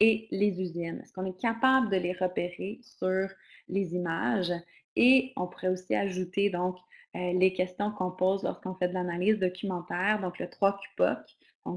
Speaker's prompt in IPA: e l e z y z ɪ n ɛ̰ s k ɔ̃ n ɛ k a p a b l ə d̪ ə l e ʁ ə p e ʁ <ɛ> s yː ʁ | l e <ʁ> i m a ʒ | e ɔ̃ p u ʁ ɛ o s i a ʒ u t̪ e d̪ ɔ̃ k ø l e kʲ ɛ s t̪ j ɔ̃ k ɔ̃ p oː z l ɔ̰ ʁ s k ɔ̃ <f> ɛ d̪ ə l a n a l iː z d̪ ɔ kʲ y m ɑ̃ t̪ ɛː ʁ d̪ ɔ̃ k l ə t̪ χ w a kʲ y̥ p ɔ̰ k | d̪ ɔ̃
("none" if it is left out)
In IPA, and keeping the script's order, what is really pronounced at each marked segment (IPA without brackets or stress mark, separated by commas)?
e, z, f